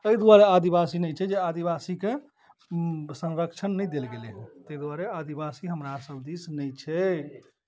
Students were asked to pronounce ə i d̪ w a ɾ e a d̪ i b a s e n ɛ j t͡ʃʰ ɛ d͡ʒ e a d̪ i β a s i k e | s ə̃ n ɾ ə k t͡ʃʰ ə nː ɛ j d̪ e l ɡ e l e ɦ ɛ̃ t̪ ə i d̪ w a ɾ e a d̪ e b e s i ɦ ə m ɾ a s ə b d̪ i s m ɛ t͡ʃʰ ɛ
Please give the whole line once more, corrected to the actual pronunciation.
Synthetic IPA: ə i d̪ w a ɾ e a d̪ i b a s i n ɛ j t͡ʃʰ ɛ d͡ʒ e a d̪ i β a s i k e | s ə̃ n ɾ ə k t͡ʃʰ ə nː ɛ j d̪ e l ɡ e l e ɦ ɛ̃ t̪ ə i d̪ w a ɾ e a d̪ i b a s i ɦ ə m ɾ a s ə b d̪ i s n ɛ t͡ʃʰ ɛ